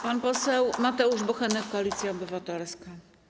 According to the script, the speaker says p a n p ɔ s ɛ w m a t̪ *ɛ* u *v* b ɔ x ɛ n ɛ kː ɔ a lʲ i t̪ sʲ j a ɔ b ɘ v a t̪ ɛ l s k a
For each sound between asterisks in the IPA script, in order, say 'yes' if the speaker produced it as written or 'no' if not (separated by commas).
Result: yes, no